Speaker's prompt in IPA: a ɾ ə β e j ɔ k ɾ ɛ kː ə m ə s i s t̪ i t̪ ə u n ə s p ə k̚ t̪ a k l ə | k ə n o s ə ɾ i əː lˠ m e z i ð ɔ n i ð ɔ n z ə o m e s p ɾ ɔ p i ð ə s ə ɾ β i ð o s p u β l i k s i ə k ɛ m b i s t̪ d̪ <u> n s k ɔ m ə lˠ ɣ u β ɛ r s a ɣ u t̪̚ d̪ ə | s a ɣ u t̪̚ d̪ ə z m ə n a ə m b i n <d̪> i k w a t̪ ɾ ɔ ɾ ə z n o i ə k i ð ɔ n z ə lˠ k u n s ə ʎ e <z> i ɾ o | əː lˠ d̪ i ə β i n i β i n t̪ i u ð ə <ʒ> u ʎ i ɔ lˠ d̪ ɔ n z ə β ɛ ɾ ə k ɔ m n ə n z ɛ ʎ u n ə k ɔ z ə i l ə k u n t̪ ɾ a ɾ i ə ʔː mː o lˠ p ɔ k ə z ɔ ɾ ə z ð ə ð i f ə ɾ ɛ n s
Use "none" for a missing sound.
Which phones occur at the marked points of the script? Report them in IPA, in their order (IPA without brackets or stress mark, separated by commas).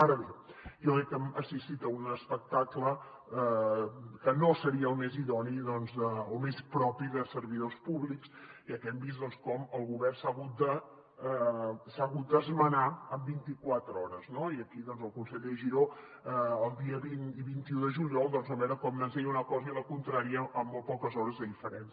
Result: ɔ, t̪, ʒ, ʒ